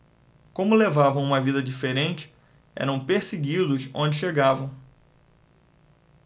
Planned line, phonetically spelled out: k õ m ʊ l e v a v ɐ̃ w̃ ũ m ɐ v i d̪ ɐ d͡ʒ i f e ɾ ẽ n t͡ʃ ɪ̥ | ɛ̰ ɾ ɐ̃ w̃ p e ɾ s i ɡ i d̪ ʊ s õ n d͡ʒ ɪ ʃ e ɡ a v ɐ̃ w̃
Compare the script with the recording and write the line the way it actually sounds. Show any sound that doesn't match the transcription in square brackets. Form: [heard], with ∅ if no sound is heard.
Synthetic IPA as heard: k õ m ʊ l e v a v ɐ̃ w̃ ũ m ɐ v i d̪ ɐ d͡ʒ i f e ɾ ẽ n t͡ʃ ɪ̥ | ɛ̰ ɾ ɐ̃ w̃ p e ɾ s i ɡ i d̪ ʊ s õ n d͡ʒ ɪ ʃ e ɡ a v ɐ̃ w̃